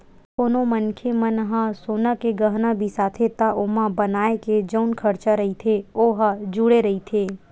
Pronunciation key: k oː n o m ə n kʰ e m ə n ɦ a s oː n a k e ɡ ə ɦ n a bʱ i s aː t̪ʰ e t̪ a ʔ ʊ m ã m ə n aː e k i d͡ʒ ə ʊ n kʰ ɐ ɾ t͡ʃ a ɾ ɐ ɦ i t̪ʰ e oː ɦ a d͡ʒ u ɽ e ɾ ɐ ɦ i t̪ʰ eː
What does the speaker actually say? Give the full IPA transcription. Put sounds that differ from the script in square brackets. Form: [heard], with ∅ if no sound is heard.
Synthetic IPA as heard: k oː n o m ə n kʰ e m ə n ɦ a s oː n a k e ɡ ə ɦ n a bʱ i s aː t̪ʰ e t̪ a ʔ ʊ m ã [b] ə n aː e k [e] d͡ʒ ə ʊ n kʰ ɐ ɾ t͡ʃ a ɾ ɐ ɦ i t̪ʰ e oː ɦ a d͡ʒ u ɽ e ɾ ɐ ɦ i t̪ʰ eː